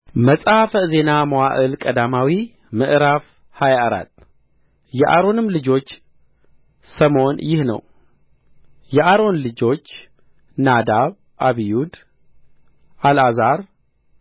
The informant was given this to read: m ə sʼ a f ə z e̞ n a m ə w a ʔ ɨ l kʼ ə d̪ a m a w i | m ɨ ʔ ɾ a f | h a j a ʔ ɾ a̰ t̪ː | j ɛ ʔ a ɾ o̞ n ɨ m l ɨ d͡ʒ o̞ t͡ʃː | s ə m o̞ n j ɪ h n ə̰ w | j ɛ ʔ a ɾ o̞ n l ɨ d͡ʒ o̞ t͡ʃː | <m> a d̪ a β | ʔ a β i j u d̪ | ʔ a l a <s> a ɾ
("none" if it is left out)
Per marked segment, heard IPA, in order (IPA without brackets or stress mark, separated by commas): n, z